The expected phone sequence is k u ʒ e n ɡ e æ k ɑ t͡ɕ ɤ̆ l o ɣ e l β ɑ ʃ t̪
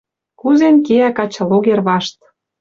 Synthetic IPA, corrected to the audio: k u z e n k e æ k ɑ t͡ɕ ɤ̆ l o ɣ e r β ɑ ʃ t̪